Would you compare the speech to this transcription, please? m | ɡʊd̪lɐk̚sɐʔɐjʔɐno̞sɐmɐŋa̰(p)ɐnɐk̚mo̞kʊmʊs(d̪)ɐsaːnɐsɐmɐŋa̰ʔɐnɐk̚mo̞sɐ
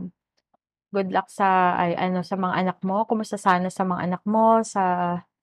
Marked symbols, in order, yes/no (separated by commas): no, no